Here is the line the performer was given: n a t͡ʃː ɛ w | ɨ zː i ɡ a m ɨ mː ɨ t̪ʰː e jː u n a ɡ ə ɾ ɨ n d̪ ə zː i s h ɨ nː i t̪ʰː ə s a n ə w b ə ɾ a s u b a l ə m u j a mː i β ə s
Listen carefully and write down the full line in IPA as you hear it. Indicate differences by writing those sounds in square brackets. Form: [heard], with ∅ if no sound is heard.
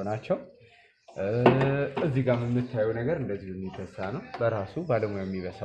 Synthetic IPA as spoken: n a t͡ʃː ɛ w | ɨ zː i ɡ a m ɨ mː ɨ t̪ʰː [a] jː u n [ə] ɡ ə ɾ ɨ n d̪ ə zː i [∅] h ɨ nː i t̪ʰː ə s a n ə w b ə ɾ a s u b a l ə m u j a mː i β ə s